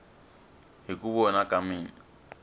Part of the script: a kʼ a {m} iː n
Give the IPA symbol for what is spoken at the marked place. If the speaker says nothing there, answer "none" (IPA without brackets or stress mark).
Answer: m